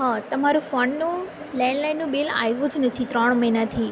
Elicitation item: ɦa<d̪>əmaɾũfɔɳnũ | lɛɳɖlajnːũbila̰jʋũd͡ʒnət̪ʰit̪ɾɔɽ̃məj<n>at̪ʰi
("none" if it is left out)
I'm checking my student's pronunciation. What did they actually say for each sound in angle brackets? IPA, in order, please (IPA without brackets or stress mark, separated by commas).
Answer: t̪, n